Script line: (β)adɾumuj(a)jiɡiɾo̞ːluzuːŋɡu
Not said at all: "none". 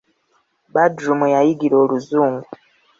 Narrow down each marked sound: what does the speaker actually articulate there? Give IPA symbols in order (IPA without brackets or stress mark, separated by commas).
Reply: b, a